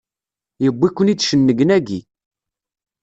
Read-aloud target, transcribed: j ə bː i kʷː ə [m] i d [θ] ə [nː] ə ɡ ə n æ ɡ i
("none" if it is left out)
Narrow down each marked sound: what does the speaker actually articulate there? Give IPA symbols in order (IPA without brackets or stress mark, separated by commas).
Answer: n, ʃ, nː